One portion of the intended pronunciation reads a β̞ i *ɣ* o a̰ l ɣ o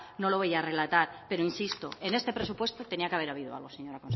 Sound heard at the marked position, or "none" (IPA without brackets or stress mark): ð